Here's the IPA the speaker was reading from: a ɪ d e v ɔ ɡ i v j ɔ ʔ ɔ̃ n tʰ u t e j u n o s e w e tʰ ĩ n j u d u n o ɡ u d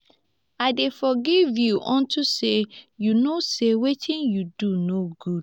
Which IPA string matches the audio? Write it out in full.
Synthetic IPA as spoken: a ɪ d e f ɔ ɡ i v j u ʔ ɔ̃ n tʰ u s e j u n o s e w e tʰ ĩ n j u d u n o ɡ u d